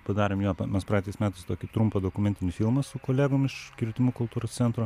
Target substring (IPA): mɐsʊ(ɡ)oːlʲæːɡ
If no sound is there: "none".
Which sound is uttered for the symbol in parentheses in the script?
k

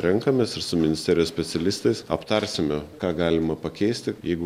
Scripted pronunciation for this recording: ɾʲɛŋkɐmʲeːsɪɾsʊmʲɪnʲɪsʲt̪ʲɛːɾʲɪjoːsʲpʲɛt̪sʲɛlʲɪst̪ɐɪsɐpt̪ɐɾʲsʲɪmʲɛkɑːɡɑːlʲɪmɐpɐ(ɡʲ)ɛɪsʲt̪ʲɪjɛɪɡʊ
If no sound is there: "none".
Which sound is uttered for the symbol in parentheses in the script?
kʲ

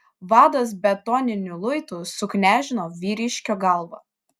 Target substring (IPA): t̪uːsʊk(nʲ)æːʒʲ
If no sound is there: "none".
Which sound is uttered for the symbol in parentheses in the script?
nʲ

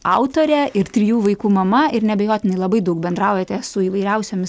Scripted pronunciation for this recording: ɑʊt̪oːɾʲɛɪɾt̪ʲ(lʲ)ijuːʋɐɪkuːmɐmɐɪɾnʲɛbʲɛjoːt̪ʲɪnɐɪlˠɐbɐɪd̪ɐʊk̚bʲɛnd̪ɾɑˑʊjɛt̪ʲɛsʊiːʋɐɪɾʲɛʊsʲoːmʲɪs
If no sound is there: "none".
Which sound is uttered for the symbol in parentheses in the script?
ɾʲ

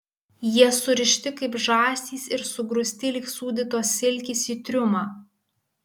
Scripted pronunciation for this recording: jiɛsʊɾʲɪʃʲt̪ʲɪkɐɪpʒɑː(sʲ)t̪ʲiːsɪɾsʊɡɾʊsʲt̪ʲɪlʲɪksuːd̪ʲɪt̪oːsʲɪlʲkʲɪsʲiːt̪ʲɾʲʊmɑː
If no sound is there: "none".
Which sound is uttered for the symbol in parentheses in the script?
sʲ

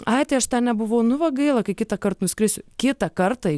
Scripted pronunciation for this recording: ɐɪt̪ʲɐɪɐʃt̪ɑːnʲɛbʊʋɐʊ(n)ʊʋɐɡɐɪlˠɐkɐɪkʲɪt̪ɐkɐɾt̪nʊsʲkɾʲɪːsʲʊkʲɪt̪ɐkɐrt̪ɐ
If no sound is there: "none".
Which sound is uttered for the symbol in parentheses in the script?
n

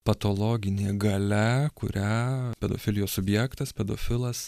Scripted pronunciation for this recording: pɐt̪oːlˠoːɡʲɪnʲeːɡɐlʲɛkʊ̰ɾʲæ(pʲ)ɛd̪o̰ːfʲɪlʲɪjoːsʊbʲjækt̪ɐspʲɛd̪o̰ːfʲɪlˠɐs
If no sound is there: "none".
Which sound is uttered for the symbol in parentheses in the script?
pʲ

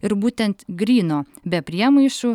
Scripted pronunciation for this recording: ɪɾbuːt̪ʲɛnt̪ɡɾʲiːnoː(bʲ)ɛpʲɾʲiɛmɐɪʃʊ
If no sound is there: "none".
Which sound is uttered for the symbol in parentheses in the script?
bʲ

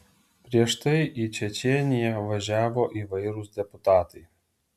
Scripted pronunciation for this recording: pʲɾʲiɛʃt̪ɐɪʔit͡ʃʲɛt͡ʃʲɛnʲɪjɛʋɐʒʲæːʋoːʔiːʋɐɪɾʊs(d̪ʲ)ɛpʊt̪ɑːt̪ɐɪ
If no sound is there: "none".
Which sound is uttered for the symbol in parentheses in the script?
d̪ʲ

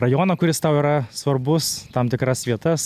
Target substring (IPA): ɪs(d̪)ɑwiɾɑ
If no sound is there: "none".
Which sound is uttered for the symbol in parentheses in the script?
t̪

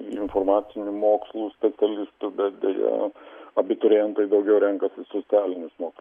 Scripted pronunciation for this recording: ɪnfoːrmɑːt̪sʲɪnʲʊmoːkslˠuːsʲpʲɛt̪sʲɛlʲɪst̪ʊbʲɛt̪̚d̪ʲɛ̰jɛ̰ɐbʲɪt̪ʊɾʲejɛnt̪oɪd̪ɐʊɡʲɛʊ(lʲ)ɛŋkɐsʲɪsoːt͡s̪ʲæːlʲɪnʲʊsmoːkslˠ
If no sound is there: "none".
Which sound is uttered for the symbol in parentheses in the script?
ɾʲ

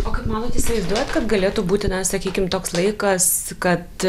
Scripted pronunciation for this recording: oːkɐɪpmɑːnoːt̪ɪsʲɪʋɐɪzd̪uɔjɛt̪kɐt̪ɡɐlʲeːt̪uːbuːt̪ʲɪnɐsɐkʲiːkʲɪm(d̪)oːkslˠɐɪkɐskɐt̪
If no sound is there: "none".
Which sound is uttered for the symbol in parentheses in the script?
t̪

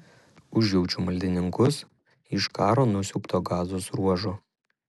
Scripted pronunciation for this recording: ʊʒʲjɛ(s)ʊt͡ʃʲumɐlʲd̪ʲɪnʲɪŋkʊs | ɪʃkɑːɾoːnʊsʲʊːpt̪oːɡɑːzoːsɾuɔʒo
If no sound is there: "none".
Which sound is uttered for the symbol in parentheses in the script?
none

